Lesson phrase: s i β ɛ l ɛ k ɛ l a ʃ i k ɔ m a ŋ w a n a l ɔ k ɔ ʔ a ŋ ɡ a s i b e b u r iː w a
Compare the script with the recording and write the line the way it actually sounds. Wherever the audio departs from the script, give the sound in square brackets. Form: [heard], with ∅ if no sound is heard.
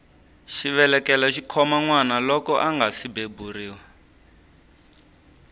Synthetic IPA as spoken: [ʃ] i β ɛ l ɛ k ɛ l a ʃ i [kʰ] ɔ m a ŋ w a n a l ɔ k ɔ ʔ a ŋ ɡ a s i b e b u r iː w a